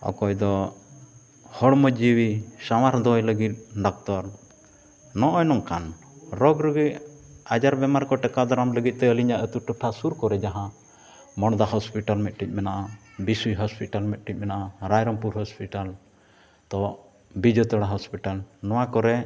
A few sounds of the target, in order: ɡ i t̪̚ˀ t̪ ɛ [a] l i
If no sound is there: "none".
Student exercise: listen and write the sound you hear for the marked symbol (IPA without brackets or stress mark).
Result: ə